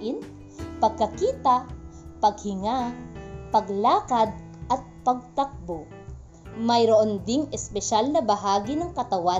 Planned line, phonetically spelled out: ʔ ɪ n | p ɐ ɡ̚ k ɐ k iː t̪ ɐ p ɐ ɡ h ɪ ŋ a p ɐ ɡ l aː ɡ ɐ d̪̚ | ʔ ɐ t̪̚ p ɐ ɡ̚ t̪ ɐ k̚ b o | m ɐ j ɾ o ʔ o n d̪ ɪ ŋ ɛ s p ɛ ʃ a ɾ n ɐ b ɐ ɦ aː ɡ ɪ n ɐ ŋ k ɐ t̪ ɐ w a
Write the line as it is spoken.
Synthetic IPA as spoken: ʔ ɪ n | p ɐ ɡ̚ k ɐ k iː t̪ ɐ p ɐ ɡ h ɪ ŋ a p ɐ ɡ l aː k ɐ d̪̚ | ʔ ɐ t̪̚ p ɐ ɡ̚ t̪ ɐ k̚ b o | m ɐ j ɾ o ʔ o n d̪ ɪ ŋ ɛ s p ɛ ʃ a l n ɐ b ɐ ɦ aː ɡ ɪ n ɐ ŋ k ɐ t̪ ɐ w a